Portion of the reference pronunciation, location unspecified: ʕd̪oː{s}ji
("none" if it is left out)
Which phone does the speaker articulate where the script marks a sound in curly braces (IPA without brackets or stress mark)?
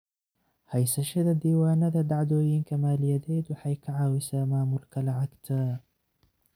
none